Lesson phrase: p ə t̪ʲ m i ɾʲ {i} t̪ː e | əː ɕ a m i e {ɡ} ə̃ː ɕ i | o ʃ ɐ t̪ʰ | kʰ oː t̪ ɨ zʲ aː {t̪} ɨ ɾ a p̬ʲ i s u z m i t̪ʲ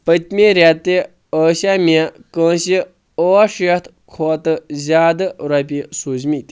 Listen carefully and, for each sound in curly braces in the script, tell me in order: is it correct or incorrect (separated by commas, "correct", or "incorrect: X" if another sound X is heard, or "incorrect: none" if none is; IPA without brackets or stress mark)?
incorrect: a, incorrect: k, incorrect: d̪